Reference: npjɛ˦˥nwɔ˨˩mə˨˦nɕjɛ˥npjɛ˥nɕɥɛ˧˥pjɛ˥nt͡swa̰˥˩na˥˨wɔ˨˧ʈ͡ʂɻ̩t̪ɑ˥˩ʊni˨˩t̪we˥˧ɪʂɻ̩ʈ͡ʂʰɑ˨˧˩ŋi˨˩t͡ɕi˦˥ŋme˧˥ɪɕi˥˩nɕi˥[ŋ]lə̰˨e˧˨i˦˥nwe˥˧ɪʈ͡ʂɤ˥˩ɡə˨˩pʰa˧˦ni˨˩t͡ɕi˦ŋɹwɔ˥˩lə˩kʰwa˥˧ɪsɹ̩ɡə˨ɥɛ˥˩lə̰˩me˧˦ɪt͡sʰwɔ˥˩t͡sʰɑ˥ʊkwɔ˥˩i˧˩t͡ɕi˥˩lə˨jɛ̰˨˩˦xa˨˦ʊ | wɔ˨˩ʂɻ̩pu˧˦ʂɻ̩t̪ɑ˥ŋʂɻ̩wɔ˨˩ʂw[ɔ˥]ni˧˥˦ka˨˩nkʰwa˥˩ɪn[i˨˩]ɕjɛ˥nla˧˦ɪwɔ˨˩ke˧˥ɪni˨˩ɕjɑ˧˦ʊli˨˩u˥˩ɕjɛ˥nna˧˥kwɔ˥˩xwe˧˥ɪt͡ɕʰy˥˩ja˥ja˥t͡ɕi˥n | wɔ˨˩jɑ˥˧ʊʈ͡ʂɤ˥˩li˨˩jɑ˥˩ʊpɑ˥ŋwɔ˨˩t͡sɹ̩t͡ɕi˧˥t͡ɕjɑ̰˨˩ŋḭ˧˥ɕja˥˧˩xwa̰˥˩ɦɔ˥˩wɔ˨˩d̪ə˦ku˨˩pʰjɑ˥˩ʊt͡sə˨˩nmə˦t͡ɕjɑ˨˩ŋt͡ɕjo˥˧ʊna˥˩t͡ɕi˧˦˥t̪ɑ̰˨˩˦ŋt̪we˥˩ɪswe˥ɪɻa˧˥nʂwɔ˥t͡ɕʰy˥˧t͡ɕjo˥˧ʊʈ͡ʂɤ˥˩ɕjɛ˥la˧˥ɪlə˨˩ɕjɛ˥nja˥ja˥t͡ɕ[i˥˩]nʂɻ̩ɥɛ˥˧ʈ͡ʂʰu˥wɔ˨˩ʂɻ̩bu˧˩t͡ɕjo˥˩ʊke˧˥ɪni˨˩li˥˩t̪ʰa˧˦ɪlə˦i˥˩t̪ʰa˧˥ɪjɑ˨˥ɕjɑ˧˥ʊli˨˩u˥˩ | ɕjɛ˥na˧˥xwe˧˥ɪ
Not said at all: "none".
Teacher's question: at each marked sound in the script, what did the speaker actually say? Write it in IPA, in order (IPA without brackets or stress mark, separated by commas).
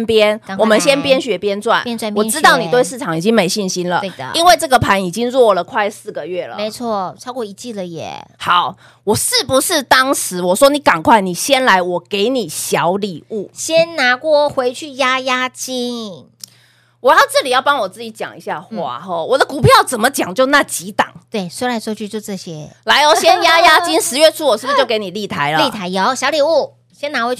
n, ɔ˥, i˨˩, i˥